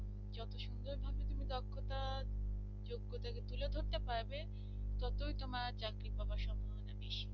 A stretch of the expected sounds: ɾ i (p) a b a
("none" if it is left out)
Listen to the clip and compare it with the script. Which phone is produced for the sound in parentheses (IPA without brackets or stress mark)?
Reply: p